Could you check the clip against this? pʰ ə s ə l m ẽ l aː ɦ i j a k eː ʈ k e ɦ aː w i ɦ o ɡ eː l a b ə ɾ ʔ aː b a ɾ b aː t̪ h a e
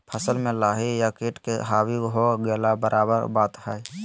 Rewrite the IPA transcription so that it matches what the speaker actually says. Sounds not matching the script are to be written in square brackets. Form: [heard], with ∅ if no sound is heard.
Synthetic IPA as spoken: pʰ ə s ə l m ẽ l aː ɦ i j a k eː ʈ k e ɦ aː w i ɦ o ɡ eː l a b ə ɾ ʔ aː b [ə] ɾ b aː t̪ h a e